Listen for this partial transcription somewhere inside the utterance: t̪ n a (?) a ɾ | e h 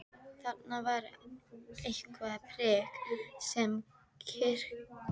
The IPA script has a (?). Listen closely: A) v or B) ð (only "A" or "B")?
A